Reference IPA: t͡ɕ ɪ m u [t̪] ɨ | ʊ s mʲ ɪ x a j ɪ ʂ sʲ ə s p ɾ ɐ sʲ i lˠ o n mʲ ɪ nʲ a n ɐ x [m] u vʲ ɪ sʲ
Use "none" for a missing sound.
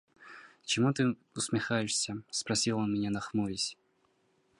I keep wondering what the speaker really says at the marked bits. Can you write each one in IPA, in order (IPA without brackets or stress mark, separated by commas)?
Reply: t̪, m